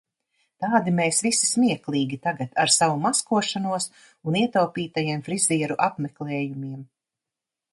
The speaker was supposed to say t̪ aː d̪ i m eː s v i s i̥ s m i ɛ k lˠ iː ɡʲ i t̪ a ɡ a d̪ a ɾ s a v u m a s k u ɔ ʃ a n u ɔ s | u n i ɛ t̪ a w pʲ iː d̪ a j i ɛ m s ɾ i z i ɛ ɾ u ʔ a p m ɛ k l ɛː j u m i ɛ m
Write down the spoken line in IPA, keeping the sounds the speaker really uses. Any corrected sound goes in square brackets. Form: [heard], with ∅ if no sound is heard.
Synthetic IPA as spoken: t̪ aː d̪ i m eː s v i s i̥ s m i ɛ k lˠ iː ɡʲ i t̪ a ɡ a [t̪] a ɾ s a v u m a s k u ɔ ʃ a n u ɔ s | u n i ɛ t̪ a w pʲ iː [t̪] a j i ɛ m [f] ɾ i z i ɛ ɾ u ʔ a p m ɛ k l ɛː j u m i ɛ m